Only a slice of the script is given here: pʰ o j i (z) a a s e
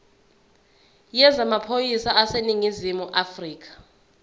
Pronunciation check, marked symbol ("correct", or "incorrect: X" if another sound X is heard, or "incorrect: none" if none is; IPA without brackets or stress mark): incorrect: s